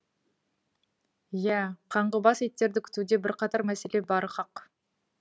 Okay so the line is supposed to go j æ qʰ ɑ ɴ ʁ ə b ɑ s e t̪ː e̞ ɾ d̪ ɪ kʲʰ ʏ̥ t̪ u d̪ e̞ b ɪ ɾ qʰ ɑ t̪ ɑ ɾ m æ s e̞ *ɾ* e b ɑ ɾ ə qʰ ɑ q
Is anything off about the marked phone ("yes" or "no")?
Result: yes